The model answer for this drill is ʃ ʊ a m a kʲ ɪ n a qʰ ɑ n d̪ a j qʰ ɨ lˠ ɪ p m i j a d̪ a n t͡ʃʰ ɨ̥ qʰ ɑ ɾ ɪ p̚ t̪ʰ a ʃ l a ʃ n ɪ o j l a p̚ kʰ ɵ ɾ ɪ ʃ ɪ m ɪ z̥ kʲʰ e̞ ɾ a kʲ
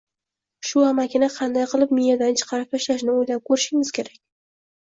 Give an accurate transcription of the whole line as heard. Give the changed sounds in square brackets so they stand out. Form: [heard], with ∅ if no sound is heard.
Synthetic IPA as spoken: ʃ ʊ a m a kʲ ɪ n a qʰ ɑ n d̪ a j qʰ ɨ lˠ ɪ p m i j a d̪ a n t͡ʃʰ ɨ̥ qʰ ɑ ɾ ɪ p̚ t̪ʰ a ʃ l a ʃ n ɪ o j l a p̚ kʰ ɵ ɾ ɪ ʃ ɪ [ŋ] ɪ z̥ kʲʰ e̞ ɾ a kʲ